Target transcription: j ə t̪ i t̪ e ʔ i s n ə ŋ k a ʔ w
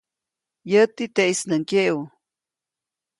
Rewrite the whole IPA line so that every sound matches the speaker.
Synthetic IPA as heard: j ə t̪ i t̪ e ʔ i s n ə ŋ k e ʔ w